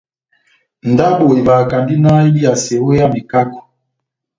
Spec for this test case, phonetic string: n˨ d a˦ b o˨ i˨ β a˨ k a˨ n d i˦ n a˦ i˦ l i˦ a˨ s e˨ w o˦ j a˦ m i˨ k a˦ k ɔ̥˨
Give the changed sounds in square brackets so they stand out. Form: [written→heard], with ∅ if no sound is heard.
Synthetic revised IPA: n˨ d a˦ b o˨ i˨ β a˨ k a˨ n d i˦ n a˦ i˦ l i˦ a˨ s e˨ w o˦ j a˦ m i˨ k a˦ k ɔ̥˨